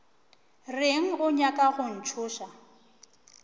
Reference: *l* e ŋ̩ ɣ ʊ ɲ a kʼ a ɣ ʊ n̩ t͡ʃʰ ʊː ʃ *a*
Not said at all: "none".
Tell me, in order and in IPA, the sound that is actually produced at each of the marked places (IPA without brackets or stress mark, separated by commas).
r, a